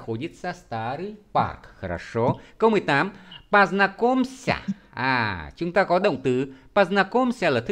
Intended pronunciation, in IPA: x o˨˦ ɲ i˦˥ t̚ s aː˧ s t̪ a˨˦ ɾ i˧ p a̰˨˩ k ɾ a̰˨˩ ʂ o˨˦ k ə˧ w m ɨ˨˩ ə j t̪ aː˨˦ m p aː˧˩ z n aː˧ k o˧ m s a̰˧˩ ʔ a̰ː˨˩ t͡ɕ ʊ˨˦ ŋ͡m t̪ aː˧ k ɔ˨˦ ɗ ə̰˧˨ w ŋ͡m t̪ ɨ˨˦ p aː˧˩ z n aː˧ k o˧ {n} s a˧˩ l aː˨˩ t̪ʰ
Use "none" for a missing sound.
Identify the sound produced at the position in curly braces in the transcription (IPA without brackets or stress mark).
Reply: m